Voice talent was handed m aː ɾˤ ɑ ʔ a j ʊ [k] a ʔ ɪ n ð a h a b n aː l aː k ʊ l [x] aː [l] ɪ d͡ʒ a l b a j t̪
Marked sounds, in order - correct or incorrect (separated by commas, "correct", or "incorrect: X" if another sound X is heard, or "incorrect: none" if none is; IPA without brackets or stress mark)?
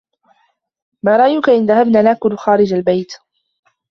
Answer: correct, correct, incorrect: ɾ